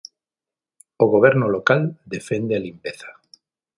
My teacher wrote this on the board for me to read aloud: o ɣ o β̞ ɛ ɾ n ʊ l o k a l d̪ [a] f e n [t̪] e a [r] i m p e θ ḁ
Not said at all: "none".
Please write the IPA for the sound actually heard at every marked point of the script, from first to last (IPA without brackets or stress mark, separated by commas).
e, d̪, l